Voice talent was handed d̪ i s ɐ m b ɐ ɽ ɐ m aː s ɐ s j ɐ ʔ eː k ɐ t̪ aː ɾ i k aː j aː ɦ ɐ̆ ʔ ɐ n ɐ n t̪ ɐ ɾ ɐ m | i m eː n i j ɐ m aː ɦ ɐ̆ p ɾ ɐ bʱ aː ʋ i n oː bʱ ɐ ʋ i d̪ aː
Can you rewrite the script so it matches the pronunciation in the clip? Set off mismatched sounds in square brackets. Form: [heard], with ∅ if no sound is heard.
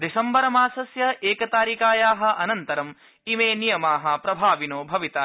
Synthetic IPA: d̪ i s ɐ m b ɐ [ɾ] ɐ m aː s ɐ s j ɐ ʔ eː k ɐ t̪ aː ɾ i k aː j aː ɦ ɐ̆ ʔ ɐ n ɐ n t̪ ɐ ɾ ɐ m | i m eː n i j ɐ m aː ɦ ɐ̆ p ɾ ɐ bʱ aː ʋ i n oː bʱ ɐ ʋ i [t̪] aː